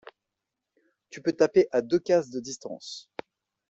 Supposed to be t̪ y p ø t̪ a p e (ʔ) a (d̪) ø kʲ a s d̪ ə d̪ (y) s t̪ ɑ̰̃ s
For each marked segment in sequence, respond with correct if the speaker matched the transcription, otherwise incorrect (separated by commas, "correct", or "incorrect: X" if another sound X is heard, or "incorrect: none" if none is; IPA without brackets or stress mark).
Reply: correct, correct, incorrect: i